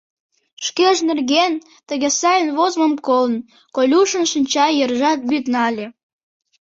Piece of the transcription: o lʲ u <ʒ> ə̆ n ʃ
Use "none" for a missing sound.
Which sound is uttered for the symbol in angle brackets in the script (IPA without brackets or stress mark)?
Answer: ʃ